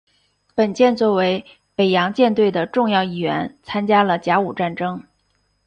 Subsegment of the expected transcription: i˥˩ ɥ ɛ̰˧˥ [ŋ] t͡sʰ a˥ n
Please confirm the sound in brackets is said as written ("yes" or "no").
no